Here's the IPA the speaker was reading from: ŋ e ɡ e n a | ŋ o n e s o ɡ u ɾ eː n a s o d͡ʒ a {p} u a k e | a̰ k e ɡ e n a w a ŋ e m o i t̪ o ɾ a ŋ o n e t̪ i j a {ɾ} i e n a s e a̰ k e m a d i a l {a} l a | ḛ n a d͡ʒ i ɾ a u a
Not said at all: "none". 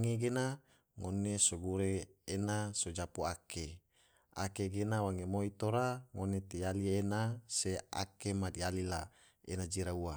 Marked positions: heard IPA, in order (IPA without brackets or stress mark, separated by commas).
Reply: p, l, i